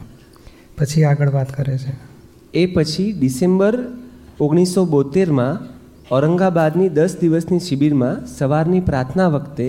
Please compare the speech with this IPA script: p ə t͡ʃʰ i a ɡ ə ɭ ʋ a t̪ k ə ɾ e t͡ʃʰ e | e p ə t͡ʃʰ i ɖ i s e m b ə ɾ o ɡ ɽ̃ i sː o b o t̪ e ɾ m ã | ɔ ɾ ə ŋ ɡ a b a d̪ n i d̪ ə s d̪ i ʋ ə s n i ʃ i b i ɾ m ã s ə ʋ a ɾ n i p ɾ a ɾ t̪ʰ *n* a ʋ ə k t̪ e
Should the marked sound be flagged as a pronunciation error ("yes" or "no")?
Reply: no